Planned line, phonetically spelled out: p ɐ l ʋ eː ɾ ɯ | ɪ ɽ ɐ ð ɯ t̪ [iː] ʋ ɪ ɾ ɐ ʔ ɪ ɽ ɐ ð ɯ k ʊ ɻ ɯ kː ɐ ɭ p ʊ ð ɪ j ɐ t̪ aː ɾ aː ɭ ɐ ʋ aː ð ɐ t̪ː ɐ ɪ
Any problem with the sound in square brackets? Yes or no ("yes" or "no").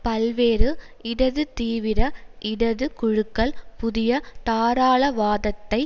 no